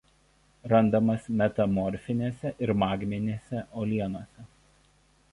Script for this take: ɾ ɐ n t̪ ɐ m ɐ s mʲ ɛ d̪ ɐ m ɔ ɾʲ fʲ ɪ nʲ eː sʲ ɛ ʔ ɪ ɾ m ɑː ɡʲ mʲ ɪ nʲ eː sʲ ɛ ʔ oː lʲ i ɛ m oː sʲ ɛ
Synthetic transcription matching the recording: ɾ ɐ n d̪ ɐ m ɐ s mʲ ɛ t̪ ɐ m ɔ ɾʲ fʲ ɪ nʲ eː sʲ ɛ ʔ ɪ ɾ m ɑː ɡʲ mʲ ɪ nʲ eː sʲ ɛ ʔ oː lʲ i ɛ n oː sʲ ɛ